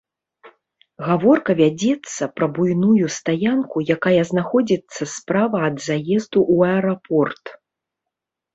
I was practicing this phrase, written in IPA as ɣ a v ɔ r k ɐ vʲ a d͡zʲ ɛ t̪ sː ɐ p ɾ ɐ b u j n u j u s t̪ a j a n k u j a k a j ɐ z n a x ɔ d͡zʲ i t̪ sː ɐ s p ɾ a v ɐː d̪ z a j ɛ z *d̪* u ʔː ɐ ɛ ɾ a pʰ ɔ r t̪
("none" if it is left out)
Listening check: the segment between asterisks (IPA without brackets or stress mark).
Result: d̪